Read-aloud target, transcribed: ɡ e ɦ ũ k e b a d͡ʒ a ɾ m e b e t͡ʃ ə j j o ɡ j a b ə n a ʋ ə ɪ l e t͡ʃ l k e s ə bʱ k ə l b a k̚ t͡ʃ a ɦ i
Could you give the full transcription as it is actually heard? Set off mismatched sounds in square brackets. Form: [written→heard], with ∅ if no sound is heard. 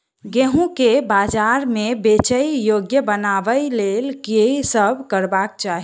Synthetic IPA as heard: ɡ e ɦ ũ k e b a d͡ʒ a ɾ m e b e t͡ʃ ə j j o ɡ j [a→ə] b ə n a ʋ ə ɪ l e [t͡ʃ→∅] l k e s ə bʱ k ə [l→ɾ] b a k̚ t͡ʃ a ɦ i